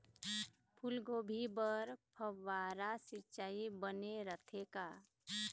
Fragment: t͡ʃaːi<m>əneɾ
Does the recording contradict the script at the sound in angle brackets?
yes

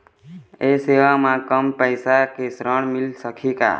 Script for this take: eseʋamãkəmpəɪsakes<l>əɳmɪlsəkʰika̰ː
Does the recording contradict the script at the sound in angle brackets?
yes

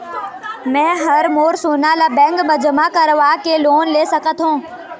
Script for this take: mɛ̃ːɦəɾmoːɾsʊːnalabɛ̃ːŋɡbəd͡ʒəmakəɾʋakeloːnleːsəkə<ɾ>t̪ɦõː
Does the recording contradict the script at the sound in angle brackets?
yes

